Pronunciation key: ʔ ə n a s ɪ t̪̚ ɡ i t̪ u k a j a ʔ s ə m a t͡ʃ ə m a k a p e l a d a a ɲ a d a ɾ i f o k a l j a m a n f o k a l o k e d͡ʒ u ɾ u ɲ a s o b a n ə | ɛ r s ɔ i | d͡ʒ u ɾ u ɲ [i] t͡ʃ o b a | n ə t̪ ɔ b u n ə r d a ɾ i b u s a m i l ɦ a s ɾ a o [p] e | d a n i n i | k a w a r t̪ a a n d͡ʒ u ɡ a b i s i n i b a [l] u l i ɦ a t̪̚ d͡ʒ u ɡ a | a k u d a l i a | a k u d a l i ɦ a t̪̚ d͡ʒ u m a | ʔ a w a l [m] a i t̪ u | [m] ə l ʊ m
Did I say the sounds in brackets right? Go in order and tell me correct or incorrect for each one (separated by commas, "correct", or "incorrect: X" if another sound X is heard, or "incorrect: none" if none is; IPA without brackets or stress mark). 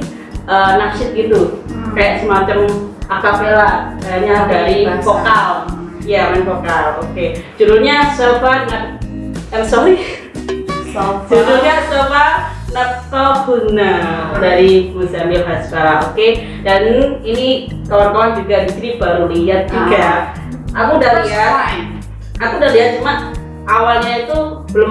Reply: incorrect: a, incorrect: k, incorrect: ɾ, incorrect: ɲ, incorrect: b